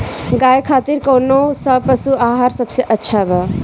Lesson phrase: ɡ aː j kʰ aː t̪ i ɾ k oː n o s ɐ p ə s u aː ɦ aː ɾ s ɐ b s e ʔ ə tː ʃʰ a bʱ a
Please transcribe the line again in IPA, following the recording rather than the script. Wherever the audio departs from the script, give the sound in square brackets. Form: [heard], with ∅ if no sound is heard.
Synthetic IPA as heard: ɡ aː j kʰ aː t̪ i ɾ k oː n o s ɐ p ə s u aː ɦ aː ɾ s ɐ b s e ʔ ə tː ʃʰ a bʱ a